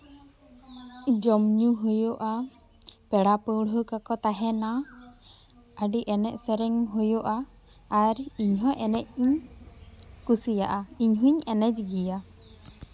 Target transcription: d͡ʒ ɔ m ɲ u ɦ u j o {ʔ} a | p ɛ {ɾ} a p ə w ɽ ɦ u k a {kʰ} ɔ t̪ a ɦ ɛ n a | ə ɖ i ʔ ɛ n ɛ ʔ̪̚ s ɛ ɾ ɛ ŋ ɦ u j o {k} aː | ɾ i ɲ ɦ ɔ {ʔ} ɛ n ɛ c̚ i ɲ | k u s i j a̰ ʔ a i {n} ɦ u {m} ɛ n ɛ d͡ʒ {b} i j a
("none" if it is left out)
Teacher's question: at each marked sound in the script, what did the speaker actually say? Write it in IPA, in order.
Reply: ʔ, ɽ, k, ʔ, ʔ, ɲ, ɲ, ɡ

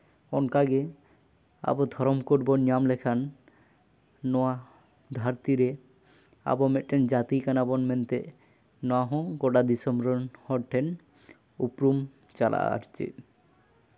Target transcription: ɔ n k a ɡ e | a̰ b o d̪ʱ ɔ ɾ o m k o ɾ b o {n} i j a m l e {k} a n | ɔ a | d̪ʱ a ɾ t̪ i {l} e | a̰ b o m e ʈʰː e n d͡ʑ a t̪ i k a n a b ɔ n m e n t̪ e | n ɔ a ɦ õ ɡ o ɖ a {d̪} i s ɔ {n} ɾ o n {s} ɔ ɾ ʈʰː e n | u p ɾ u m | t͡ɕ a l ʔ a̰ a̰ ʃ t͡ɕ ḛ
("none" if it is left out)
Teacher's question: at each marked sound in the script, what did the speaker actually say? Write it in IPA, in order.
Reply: n, kʰ, ɾ, d̪, m, h

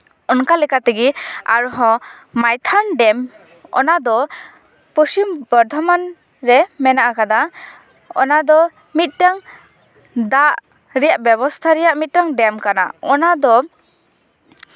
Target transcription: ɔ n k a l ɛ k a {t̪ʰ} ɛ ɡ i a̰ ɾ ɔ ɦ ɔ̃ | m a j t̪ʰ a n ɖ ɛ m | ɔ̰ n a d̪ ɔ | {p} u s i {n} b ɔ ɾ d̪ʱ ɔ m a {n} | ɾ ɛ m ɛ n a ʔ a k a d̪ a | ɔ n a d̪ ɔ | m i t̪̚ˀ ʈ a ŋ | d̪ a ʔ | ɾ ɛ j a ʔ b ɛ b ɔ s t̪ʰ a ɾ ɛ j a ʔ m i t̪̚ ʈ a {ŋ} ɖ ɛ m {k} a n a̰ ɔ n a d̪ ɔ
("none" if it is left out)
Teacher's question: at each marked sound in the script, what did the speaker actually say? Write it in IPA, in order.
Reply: t̪, p, m, n, ŋ, k

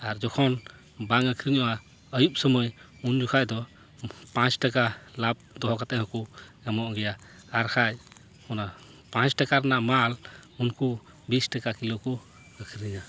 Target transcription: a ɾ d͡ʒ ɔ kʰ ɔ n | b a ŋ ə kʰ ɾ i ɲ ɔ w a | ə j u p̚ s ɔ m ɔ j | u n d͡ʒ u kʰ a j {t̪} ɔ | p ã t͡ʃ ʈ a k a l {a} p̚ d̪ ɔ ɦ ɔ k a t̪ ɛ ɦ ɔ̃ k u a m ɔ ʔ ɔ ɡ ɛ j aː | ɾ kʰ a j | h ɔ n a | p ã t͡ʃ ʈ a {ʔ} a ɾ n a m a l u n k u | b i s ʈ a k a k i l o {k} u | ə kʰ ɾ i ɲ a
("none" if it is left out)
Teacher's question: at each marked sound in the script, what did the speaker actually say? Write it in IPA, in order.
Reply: d̪, a, k, k

